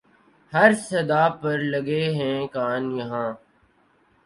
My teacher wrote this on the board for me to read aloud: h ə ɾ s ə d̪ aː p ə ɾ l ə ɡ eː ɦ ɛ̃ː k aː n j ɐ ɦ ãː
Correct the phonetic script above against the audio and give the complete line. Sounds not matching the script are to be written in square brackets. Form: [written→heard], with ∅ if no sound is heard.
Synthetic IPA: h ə ɾ s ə d̪ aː p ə ɾ l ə ɡ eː ɦ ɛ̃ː k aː n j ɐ ɦ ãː